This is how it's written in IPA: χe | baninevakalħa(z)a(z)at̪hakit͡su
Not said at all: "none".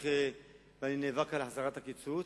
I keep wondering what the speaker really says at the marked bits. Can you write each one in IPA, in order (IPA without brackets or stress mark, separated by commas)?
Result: z, ʁ